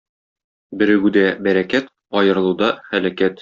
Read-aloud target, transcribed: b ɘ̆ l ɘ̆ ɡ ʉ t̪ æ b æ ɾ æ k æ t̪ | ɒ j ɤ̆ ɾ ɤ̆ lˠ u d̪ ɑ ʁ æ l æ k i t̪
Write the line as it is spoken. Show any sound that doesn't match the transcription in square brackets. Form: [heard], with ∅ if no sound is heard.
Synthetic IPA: b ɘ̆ [ɾ] ɘ̆ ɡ ʉ [d̪] æ b æ ɾ æ k æ t̪ | ɒ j ɤ̆ ɾ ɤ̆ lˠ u d̪ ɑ [χ] æ l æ k [æ] t̪